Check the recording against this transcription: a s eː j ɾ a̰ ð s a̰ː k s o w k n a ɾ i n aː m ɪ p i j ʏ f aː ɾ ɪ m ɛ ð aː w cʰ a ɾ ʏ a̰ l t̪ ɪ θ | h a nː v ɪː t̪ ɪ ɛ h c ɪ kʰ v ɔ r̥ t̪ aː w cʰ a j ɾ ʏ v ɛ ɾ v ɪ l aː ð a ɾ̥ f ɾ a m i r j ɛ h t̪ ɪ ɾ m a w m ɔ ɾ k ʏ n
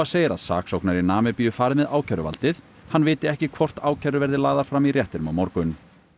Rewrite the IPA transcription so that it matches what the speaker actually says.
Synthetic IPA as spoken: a s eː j ɾ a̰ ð s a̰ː k s o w k n a ɾ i n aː m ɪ p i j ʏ f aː ɾ ɪ m ɛ ð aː w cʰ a ɾ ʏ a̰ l t̪ ɪ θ | h a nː v ɪː t̪ ɪ ɛ h c ɪ kʰ v ɔ r̥ t̪ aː w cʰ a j ɾ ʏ v ɛ ɾ ð ɪ l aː ð a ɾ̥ f ɾ a m i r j ɛ h t̪ ɪ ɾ m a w m ɔ ɾ k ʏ n